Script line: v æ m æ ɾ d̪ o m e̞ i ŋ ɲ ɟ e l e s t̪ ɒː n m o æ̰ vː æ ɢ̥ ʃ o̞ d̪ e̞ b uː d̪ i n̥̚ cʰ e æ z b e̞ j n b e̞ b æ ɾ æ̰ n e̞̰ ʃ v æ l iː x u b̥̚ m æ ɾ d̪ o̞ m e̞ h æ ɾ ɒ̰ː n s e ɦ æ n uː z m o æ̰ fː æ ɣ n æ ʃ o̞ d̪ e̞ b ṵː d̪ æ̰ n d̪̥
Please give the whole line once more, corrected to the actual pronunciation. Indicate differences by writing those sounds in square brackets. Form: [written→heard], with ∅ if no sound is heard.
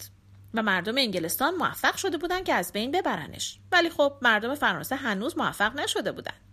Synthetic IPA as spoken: v æ m æ ɾ d̪ o m e̞ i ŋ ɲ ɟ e l e s t̪ ɒː n m o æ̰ [vː→fː] æ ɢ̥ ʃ o̞ d̪ e̞ b uː d̪ [i→æ] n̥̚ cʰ e æ z b e̞ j n b e̞ b æ ɾ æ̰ n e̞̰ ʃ v æ l iː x [u→o] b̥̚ m æ ɾ d̪ o̞ m e̞ [h→f] æ ɾ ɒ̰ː n s e ɦ æ n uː z m o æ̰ fː æ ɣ n æ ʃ o̞ d̪ e̞ b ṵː d̪ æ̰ n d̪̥